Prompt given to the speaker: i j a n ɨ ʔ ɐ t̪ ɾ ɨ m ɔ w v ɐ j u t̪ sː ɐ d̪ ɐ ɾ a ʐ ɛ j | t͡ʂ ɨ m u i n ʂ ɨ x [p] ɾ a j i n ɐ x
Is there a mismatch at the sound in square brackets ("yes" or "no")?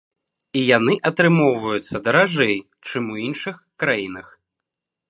yes